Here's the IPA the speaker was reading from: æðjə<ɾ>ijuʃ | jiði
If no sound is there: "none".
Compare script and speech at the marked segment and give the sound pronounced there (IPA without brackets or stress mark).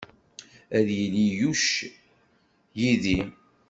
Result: l